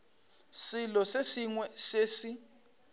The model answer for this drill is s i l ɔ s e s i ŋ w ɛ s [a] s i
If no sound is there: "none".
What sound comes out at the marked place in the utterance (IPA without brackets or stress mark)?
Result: e